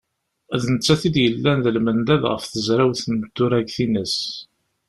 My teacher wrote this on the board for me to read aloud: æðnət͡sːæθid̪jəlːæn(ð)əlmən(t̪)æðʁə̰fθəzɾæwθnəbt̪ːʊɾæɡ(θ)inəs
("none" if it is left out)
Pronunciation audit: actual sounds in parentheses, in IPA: ð, d̪, θ

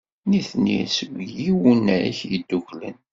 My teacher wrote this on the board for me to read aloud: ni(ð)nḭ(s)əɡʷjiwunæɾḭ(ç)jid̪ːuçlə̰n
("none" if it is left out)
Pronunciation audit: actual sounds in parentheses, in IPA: θ, s, ç

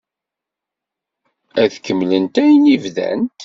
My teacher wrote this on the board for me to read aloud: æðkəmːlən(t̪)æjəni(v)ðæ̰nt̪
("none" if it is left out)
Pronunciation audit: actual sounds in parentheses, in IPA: t̪, v

